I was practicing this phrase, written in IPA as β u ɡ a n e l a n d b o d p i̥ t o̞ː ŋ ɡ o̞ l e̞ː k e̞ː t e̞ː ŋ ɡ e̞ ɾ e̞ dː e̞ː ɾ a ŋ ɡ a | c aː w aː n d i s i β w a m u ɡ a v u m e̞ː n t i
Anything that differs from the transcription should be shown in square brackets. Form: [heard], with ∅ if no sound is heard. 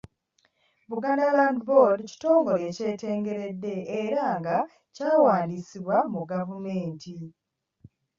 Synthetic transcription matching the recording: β u ɡ a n [a] l a n d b o d [c] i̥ t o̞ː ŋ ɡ o̞ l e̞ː [c] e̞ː t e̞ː ŋ ɡ e̞ ɾ e̞ dː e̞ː ɾ a ŋ ɡ a | c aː w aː n d i s i β w a m u ɡ a v u m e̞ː n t i